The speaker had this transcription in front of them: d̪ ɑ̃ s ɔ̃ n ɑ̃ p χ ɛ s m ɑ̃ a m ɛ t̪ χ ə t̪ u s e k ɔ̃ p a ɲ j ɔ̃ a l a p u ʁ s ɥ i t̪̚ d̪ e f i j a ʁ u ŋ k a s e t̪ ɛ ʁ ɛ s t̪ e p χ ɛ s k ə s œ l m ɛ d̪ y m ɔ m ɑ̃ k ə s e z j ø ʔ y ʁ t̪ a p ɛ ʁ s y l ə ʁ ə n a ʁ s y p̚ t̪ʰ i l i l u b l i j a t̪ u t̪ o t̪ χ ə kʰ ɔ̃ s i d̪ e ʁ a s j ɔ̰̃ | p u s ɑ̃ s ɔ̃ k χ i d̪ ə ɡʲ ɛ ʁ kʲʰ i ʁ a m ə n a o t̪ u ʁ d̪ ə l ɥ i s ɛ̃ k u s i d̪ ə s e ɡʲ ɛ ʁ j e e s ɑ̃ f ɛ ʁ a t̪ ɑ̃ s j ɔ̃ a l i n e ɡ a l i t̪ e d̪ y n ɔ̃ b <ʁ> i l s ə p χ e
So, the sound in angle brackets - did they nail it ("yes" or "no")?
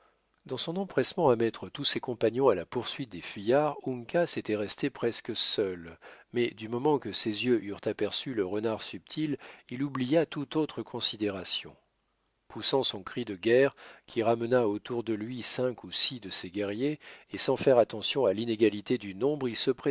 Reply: yes